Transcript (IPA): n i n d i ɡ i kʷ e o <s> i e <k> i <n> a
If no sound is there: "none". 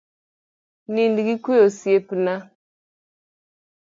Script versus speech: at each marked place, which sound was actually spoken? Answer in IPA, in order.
s, p, n

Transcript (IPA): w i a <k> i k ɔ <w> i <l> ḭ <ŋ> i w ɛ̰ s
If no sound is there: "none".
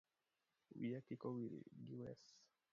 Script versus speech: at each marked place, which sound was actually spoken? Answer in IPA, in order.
k, w, ɾ, ɡ

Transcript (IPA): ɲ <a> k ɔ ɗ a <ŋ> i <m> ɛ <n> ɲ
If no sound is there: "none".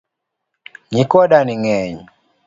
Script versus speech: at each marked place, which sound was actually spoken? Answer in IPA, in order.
i, n, ŋ, none

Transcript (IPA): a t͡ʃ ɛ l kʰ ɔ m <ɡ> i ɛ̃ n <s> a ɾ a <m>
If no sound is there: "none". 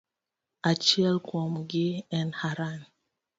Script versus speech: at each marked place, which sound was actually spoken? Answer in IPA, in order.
ɡ, h, n

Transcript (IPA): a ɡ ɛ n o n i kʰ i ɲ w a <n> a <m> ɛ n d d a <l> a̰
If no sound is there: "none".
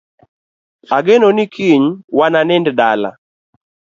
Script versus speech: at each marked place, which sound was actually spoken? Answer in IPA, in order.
n, n, l

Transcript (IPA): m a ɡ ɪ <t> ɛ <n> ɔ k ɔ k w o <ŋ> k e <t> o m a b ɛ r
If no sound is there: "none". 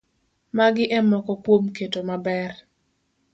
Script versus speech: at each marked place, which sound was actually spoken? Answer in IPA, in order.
ʔ, m, m, t

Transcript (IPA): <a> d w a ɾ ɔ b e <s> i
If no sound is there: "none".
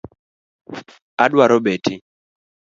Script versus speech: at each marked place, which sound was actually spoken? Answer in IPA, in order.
a, t

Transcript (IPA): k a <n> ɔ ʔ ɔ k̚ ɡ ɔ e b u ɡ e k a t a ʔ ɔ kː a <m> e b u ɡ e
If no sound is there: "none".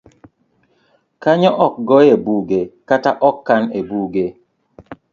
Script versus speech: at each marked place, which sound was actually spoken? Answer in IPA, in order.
ɲ, n

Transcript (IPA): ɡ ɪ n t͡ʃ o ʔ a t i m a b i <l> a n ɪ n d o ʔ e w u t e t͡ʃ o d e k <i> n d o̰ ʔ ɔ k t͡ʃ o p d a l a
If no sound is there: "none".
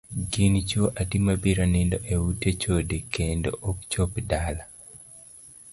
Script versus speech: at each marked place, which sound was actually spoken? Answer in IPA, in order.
ɾ, e

